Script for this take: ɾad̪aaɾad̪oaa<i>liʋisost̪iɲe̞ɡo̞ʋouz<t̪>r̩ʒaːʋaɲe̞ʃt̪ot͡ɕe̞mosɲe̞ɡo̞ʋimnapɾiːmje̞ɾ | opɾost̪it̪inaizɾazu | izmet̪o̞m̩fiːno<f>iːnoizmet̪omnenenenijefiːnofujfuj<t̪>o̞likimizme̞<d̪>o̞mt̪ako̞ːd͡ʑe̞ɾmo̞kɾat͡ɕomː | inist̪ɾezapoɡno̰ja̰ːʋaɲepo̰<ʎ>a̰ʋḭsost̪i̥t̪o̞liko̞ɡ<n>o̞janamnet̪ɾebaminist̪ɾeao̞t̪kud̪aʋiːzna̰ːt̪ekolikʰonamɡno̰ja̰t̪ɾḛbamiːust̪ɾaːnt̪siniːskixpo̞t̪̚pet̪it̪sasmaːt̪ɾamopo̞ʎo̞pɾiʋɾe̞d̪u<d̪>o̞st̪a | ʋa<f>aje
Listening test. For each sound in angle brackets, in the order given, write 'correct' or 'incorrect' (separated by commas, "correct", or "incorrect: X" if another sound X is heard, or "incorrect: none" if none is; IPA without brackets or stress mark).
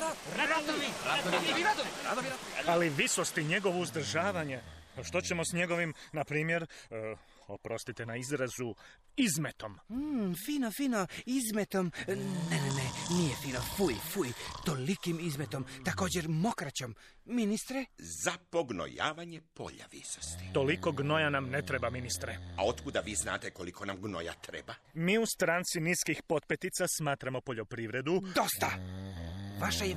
incorrect: a, incorrect: d̪, correct, correct, incorrect: t̪, correct, correct, correct, incorrect: ʃ